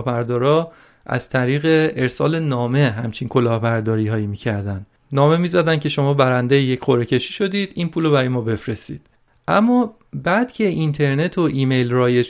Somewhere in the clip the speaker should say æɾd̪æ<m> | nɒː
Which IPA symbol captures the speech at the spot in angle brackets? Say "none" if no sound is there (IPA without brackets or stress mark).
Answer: n